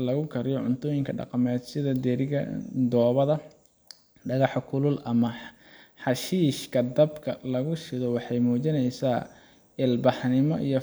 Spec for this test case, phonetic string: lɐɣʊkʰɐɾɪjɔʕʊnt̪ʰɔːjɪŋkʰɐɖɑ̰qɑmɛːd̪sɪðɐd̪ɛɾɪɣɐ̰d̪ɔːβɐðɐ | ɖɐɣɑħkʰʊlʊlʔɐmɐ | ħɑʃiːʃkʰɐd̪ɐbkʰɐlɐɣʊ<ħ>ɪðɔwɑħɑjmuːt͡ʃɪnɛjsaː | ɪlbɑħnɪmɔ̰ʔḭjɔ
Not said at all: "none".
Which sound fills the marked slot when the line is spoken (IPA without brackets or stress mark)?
ʃ